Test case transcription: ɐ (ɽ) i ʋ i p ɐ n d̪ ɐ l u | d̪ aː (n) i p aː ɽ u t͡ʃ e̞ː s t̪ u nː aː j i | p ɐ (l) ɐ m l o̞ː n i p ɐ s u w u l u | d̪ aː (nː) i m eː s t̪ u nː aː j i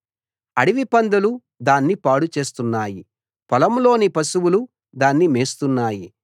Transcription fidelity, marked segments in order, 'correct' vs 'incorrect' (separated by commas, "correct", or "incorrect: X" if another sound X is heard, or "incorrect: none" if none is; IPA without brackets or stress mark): correct, incorrect: nː, correct, correct